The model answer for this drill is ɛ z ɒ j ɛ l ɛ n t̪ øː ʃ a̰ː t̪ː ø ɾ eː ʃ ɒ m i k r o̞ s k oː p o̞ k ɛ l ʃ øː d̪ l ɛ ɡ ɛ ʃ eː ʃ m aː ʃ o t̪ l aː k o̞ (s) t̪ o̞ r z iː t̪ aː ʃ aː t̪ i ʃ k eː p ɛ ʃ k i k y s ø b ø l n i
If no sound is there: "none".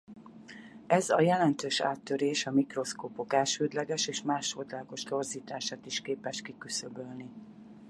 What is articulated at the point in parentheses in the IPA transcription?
ʃ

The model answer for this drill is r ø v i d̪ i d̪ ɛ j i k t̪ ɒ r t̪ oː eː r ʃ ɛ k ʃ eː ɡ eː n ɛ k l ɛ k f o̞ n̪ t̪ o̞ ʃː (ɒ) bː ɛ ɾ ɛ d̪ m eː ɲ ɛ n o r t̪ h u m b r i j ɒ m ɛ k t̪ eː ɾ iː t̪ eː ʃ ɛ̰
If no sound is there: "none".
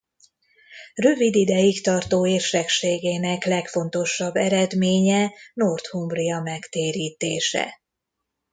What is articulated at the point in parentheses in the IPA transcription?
ɒ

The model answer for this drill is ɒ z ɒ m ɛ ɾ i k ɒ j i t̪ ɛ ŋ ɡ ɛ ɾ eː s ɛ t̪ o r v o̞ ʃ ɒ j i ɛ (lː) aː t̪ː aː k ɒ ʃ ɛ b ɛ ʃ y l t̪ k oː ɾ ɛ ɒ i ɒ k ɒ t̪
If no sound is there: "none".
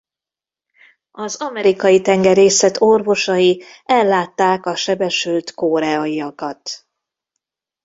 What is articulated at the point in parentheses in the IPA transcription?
lː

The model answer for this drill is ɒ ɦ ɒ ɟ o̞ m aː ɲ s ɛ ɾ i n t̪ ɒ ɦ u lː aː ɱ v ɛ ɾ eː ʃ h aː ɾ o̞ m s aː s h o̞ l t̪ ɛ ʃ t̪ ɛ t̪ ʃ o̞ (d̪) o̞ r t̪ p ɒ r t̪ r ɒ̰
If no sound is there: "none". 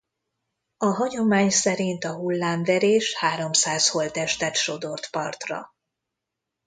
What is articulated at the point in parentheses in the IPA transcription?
d̪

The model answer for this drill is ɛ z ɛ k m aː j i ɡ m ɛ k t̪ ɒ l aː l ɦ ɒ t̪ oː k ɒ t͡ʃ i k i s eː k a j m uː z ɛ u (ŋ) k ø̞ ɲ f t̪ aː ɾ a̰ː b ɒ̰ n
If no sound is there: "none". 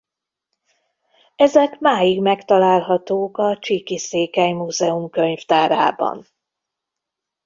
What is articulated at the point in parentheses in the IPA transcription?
m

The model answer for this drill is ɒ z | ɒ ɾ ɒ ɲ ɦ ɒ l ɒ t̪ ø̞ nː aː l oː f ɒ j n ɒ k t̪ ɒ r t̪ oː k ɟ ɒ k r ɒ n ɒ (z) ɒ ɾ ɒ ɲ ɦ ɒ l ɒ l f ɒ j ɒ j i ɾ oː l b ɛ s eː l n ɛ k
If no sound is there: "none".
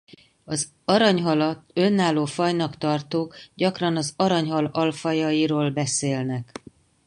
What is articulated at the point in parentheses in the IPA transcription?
z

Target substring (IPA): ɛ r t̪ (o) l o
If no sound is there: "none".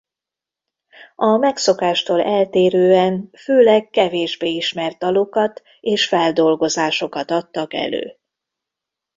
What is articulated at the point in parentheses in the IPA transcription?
ɒ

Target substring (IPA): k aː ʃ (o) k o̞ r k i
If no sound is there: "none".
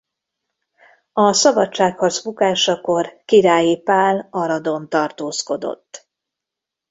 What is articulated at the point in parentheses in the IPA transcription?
ɒ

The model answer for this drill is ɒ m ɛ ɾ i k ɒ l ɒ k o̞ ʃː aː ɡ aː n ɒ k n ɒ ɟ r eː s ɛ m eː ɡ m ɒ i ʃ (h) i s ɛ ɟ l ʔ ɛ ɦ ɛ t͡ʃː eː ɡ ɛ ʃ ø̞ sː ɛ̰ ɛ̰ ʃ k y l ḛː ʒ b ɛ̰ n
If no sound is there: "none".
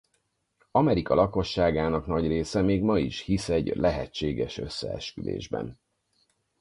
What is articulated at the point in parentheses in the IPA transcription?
h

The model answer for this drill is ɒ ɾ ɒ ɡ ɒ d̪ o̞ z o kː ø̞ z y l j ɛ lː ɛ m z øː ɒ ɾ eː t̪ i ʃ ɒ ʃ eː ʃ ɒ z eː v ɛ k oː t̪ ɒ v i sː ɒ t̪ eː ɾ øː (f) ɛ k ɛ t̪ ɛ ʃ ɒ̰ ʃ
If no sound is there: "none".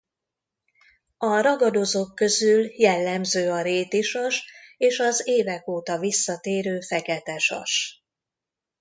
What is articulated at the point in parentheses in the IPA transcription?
f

